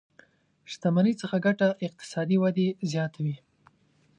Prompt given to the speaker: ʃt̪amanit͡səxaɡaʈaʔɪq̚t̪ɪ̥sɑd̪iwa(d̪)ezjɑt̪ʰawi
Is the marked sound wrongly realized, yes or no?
no